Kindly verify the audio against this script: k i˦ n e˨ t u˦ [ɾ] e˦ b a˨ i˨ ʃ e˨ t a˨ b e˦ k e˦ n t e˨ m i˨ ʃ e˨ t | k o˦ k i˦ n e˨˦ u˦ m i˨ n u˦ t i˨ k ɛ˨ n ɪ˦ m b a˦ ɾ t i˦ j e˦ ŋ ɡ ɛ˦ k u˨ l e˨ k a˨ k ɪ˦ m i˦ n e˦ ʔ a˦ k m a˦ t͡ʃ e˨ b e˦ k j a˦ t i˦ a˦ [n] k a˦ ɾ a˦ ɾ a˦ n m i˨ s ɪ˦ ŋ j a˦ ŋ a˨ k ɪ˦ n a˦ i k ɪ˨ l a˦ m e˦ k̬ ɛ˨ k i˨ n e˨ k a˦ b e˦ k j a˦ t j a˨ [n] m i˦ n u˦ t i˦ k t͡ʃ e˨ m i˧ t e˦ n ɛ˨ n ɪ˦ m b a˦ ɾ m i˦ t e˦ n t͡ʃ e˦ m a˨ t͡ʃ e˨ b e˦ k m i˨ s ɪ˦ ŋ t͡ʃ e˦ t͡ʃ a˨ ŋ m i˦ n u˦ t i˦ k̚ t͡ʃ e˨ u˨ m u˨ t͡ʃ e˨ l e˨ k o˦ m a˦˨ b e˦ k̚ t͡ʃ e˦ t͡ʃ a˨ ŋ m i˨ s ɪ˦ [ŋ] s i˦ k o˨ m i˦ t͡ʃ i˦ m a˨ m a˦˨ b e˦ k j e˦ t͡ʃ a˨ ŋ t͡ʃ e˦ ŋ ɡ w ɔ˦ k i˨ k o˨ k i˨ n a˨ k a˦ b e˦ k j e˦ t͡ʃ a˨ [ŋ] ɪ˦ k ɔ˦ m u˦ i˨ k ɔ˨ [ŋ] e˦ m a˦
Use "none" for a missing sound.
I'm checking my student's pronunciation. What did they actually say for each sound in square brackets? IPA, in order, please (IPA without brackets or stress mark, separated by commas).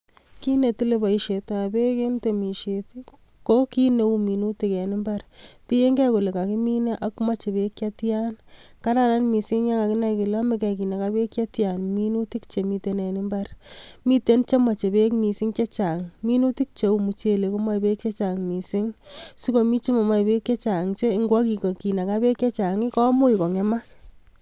l, n, n, ŋ, ŋ, ŋ